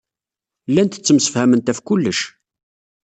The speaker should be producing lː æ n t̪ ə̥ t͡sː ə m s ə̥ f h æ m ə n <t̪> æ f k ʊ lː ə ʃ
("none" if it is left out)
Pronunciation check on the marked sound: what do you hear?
t̪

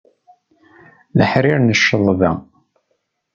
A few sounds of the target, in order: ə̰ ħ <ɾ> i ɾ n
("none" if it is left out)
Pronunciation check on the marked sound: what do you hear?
ɾ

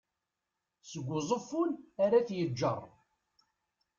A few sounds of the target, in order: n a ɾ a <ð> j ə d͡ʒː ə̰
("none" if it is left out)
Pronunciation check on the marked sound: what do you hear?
θ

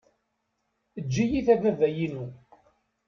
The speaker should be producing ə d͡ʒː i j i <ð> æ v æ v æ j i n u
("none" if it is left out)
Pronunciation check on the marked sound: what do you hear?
θ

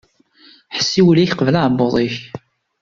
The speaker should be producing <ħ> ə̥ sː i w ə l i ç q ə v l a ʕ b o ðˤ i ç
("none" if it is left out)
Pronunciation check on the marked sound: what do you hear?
ħ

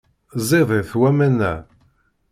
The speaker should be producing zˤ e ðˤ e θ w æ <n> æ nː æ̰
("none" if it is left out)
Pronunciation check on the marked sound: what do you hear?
m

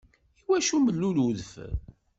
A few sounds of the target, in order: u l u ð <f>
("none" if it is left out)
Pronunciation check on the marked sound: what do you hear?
f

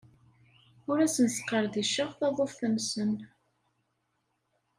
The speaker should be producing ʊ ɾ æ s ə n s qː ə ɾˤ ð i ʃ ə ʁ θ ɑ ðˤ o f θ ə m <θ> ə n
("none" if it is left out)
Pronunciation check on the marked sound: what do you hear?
s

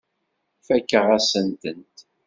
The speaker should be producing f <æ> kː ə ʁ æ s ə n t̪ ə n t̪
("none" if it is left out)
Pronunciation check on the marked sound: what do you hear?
æ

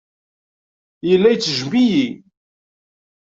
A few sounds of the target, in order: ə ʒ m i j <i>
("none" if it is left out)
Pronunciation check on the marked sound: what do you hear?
i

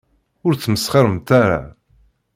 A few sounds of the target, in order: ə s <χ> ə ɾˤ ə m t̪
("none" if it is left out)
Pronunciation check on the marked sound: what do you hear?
χ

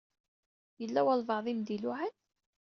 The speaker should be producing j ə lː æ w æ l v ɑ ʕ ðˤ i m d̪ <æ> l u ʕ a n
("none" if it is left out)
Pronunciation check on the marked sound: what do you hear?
i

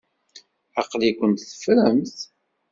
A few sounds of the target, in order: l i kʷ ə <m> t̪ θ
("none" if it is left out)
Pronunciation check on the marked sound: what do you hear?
n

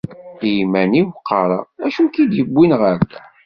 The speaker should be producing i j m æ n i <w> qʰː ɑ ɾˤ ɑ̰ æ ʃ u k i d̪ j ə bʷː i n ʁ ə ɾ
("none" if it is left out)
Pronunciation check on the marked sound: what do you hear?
w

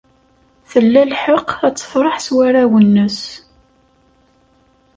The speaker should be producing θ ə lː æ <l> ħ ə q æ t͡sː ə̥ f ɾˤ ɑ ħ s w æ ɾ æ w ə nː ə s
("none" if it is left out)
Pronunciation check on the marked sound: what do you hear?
l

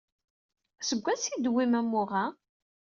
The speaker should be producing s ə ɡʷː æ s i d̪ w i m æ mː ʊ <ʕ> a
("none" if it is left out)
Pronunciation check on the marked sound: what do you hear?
ʁ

